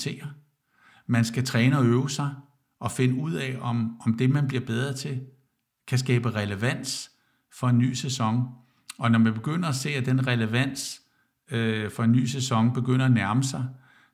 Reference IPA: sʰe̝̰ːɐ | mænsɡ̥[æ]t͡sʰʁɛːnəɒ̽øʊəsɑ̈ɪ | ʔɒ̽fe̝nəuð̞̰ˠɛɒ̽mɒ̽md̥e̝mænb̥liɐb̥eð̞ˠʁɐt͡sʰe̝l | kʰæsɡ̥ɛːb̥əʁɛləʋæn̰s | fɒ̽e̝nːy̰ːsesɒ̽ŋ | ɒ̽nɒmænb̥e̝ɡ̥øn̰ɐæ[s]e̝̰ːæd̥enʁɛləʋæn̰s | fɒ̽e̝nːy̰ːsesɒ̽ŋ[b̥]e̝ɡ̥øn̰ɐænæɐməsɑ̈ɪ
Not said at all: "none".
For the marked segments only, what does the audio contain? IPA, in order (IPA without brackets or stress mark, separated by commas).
æ, s, b̥